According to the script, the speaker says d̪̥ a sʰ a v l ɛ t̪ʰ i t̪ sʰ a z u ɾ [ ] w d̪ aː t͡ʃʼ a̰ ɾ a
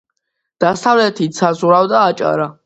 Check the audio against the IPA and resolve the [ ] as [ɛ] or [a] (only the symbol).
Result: a